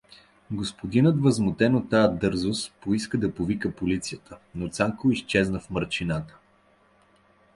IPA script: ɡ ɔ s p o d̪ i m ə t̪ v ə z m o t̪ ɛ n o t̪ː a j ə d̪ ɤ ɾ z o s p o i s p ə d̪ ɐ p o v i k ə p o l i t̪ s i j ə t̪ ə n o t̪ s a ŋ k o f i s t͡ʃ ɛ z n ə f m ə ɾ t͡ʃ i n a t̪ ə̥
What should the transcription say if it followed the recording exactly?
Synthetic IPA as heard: ɡ o s p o d̪ i n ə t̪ v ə z m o t̪ ɛ n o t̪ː a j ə d̪ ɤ ɾ z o s p o i s k ə d̪ ɐ p o v i k ə p o l i t̪ s i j ə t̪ ə n o t̪ s a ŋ k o i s t͡ʃ ɛ z n ə f m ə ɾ t͡ʃ i n a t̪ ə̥